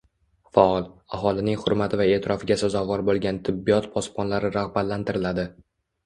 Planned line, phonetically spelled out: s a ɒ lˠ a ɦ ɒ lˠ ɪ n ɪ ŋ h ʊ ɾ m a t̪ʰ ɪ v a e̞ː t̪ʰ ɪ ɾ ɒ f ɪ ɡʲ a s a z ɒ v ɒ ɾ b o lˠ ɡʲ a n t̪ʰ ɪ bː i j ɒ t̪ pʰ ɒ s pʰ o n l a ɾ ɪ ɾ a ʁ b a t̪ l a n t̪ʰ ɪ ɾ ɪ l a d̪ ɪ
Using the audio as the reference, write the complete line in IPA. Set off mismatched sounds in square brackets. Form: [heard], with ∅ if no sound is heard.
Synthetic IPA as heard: [f] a ɒ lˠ a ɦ ɒ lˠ ɪ n ɪ ŋ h ʊ ɾ m a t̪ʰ ɪ v a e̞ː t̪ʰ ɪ ɾ ɒ f ɪ ɡʲ a s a z ɒ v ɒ ɾ b o lˠ ɡʲ a n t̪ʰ ɪ bː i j ɒ t̪ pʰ ɒ s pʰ [ɒ] n l a ɾ ɪ ɾ a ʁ b a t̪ l a n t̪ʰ ɪ ɾ ɪ l a d̪ ɪ